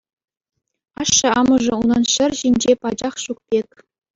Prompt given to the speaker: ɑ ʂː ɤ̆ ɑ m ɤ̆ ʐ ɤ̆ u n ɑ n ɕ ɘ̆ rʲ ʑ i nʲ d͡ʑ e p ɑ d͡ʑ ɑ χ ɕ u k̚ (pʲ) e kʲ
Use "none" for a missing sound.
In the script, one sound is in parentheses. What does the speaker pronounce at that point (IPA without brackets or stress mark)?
pʲ